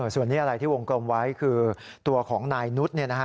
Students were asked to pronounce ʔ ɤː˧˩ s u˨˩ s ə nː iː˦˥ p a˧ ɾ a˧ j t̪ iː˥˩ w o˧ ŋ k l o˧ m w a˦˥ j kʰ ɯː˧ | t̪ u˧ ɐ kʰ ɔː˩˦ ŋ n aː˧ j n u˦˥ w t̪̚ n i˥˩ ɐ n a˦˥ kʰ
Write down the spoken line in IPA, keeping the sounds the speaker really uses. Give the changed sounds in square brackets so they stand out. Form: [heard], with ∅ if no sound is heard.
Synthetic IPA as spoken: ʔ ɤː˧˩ s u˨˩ [∅] ə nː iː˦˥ [ʔ] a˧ ɾ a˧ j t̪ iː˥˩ w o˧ ŋ k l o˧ m w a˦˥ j kʰ ɯː˧ | t̪ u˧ ɐ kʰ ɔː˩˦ ŋ n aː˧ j n u˦˥ [∅] t̪̚ n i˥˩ ɐ n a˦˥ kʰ

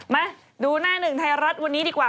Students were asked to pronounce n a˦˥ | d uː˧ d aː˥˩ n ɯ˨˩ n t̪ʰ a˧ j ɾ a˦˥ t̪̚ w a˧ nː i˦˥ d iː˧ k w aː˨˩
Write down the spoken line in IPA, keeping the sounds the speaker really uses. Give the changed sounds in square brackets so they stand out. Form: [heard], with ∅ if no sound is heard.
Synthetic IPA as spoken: [m] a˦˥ | d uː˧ [n] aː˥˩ n ɯ˨˩ [ŋ] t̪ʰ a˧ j ɾ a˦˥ t̪̚ w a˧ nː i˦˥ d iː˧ k w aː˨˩

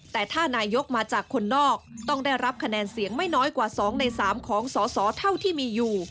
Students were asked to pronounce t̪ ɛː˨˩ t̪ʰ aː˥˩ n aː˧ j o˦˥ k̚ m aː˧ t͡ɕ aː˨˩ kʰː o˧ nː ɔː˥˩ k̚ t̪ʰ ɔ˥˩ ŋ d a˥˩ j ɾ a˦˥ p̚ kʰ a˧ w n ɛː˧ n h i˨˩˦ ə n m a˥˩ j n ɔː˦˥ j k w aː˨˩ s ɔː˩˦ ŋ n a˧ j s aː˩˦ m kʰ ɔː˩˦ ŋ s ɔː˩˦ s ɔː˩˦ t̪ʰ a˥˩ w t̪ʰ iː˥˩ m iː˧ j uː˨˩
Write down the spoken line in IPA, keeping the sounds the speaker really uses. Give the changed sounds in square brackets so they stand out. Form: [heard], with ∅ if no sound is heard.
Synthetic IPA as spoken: t̪ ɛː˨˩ t̪ʰ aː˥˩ n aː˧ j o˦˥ k̚ m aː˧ t͡ɕ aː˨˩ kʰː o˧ nː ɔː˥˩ k̚ [t̪] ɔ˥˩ ŋ d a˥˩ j ɾ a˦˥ p̚ kʰ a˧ [∅] n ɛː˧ n [s] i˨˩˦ ə [ŋ] m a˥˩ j n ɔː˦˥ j k w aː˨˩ s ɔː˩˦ ŋ n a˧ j s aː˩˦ m kʰ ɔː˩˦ ŋ s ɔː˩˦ s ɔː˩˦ t̪ʰ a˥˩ w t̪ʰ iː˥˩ m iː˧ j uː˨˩

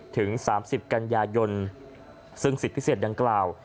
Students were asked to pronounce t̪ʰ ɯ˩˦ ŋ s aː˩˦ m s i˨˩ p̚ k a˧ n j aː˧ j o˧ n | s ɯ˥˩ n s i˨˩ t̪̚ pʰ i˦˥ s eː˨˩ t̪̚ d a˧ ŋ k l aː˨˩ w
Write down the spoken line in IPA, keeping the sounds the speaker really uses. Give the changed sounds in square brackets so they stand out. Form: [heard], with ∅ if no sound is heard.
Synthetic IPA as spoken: t̪ʰ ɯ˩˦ ŋ s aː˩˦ m s i˨˩ p̚ k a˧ n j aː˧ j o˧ n | s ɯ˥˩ [ŋ] s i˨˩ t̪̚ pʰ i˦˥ s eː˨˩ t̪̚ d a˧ ŋ k l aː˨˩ w

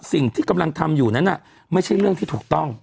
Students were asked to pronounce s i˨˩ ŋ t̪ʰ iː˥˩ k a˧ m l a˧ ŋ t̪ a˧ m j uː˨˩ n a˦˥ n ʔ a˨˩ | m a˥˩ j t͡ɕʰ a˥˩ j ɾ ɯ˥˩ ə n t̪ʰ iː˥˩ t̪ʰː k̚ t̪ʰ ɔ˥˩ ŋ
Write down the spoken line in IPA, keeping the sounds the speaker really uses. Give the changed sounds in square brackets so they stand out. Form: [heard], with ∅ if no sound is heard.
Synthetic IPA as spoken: s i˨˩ ŋ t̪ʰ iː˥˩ k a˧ m l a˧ ŋ [t̪ʰ] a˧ m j uː˨˩ n a˦˥ n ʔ a˨˩ | m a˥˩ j t͡ɕʰ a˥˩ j ɾ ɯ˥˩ ə [ŋ] t̪ʰ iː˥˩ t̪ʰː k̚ [t̪] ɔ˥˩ ŋ

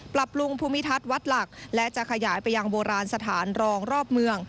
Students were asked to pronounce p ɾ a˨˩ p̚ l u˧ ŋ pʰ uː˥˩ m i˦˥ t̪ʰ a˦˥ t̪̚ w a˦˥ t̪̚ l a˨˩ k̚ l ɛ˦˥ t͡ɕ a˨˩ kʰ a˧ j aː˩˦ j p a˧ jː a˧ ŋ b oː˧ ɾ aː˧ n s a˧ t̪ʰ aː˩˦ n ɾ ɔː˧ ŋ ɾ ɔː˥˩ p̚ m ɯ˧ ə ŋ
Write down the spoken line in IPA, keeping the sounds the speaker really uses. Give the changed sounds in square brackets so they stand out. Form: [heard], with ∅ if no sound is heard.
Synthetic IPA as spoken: p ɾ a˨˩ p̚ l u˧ ŋ pʰ [uː˧] m i˦˥ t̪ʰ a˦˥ t̪̚ w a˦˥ t̪̚ l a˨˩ k̚ l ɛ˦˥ t͡ɕ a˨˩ kʰ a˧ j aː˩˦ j p a˧ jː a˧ ŋ b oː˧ ɾ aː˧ n s a˧ t̪ʰ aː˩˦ n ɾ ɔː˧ ŋ ɾ ɔː˥˩ p̚ m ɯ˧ ə ŋ

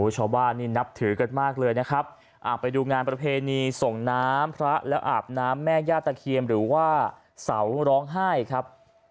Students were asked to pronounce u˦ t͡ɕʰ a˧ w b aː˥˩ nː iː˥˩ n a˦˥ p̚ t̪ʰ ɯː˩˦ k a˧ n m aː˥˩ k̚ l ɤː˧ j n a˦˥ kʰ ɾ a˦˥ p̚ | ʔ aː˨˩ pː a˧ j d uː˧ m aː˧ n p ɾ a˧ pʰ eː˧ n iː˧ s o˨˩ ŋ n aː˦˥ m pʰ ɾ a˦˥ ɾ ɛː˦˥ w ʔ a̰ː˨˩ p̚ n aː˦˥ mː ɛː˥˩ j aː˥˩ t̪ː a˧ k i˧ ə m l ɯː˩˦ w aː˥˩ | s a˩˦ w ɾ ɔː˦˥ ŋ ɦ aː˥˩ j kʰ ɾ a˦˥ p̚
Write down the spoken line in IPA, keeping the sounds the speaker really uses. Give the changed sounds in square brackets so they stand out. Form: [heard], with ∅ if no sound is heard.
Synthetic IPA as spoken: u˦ t͡ɕʰ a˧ w b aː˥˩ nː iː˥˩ n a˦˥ p̚ t̪ʰ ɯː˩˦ k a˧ n m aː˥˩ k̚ l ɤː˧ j n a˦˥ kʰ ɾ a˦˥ p̚ | ʔ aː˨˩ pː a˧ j d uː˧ [ŋ] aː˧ n p ɾ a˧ pʰ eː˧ n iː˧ s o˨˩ ŋ n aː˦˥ m pʰ ɾ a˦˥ [l] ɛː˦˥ w ʔ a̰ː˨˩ p̚ n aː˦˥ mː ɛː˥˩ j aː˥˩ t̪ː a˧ [kʰ] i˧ ə m [ɾ] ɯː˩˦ w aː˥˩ | s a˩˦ w ɾ ɔː˦˥ ŋ ɦ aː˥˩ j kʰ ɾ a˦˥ p̚

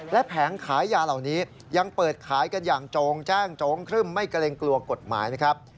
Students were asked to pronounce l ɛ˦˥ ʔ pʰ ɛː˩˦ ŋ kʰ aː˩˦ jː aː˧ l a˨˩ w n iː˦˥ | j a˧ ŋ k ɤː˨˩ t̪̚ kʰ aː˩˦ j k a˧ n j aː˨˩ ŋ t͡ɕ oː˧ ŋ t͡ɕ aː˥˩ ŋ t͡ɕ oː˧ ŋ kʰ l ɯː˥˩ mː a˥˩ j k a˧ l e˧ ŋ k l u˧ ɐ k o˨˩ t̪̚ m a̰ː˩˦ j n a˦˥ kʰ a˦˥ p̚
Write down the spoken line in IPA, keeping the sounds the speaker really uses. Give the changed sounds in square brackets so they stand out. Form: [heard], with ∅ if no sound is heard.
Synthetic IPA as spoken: l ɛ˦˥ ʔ pʰ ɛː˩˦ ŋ kʰ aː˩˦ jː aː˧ l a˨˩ w n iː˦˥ | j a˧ ŋ [p] ɤː˨˩ t̪̚ kʰ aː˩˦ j k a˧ n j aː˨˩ ŋ t͡ɕ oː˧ ŋ t͡ɕ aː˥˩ ŋ t͡ɕ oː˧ ŋ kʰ [ɾ] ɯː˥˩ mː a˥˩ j k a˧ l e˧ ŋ k l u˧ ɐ k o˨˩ t̪̚ m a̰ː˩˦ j n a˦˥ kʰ a˦˥ p̚

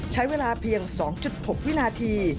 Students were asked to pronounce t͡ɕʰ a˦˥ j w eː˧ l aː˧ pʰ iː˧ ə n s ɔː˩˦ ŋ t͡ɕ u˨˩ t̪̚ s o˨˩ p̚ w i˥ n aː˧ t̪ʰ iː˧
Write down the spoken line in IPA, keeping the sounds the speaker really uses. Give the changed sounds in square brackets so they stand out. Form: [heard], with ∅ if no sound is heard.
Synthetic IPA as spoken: t͡ɕʰ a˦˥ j w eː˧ l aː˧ pʰ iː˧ ə [ŋ] s ɔː˩˦ ŋ t͡ɕ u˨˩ t̪̚ [h] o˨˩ [k̚] w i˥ n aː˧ t̪ʰ iː˧

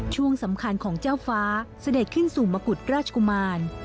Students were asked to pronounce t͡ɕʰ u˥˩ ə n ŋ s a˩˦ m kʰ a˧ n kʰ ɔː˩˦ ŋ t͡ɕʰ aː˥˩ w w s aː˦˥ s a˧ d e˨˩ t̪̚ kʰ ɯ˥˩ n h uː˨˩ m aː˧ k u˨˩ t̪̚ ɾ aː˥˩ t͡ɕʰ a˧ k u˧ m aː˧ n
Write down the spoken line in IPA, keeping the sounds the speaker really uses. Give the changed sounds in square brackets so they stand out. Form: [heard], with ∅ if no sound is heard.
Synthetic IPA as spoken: t͡ɕʰ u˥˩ ə [∅] ŋ s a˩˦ m kʰ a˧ n kʰ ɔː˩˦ ŋ [t͡ɕ] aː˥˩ w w [f] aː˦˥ s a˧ d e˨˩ t̪̚ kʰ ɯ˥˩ n [s] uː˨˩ m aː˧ k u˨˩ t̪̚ ɾ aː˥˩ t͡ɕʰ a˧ k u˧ m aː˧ n

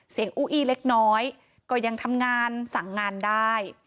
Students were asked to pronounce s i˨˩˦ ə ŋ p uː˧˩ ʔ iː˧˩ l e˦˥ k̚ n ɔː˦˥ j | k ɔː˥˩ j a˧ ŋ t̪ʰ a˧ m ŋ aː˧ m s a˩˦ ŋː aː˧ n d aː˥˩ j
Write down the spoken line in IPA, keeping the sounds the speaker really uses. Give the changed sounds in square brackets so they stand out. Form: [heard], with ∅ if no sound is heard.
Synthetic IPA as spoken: s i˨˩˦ ə ŋ [ʔ] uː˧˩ ʔ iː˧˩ l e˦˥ k̚ n ɔː˦˥ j | k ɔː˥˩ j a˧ ŋ t̪ʰ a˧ m ŋ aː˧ [n] s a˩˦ ŋː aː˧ n d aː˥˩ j

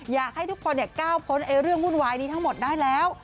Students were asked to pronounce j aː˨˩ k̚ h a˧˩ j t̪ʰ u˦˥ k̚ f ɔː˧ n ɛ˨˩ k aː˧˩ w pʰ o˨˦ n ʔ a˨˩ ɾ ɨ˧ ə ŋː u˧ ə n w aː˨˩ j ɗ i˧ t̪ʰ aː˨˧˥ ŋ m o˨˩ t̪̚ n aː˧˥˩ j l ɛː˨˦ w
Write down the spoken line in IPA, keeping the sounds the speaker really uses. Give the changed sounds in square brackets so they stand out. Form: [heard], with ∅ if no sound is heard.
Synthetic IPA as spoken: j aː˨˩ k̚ h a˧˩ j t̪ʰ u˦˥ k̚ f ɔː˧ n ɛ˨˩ k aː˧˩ w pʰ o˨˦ n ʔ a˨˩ ɾ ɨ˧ ə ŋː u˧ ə n w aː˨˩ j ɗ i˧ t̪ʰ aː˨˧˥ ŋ m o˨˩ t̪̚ n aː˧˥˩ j l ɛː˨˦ w

